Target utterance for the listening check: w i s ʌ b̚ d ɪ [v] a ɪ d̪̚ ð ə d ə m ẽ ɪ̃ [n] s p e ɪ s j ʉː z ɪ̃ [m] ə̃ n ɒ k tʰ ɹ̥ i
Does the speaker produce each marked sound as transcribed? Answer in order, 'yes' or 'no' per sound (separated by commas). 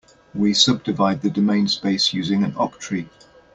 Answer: yes, yes, no